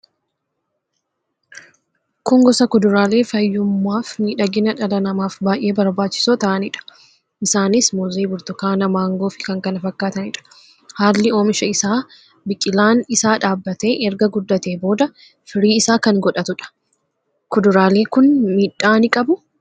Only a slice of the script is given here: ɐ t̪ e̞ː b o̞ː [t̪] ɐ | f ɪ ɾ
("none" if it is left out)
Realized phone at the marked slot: d̪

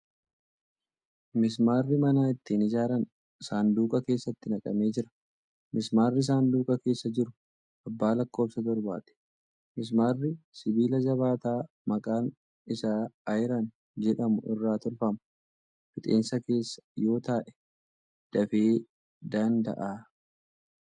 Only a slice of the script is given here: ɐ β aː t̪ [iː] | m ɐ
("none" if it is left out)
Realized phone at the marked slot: aː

